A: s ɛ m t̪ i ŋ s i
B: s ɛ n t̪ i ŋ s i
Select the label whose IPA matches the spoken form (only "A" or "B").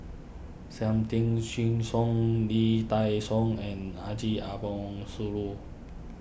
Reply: A